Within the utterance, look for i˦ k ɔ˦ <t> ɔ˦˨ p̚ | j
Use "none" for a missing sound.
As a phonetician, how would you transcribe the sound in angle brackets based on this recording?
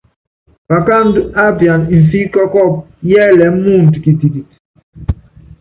k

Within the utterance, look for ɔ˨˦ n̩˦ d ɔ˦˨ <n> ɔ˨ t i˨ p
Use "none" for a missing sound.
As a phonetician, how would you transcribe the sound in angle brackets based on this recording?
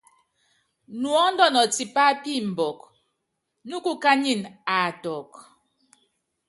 n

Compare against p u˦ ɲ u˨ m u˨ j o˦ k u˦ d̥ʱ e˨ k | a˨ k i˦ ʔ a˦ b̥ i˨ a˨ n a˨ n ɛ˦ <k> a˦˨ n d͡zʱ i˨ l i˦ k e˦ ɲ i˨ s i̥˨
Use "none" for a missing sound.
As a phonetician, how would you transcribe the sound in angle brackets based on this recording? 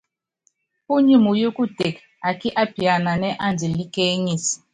ʔ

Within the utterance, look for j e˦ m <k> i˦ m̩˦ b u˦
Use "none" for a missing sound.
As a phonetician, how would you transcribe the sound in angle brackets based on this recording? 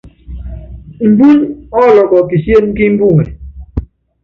k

